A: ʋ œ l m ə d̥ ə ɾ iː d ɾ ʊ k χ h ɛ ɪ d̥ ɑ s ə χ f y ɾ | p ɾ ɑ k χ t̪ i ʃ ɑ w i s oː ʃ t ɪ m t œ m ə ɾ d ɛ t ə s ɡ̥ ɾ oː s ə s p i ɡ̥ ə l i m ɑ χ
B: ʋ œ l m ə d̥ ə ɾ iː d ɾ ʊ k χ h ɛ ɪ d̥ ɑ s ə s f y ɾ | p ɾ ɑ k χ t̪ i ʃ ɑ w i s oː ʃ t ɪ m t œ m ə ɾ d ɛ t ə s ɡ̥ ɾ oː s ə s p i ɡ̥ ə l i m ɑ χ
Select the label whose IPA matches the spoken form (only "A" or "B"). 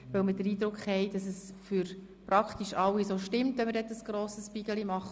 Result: B